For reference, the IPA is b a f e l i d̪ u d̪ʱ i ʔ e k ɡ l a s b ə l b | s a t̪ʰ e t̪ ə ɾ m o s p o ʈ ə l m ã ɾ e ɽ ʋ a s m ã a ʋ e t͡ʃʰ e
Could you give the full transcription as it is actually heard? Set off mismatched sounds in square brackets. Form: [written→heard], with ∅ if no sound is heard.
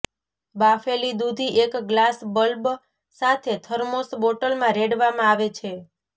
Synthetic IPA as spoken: b a f e l i d̪ u d̪ʱ i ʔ e k ɡ l a s b ə l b | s a t̪ʰ e [t̪→t̪ʰ] ə ɾ m o s [p→b] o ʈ ə l m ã ɾ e ɽ ʋ a [s→∅] m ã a ʋ e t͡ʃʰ e